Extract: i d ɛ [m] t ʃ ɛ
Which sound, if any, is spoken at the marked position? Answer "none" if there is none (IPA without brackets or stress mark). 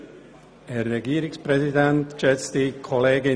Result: n